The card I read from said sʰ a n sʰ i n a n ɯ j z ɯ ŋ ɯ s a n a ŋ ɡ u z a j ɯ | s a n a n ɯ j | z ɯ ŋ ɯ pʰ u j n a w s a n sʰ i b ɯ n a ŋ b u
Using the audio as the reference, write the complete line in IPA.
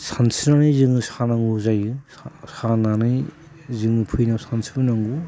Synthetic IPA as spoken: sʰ a n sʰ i n a n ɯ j z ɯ ŋ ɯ s a n a ŋ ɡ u z a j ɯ | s a n a n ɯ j | z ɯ ŋ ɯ pʰ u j n a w s a n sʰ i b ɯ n a ŋ ɡ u